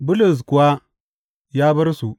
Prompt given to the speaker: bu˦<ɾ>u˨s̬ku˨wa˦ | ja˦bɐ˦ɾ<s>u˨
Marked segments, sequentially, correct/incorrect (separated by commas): incorrect, correct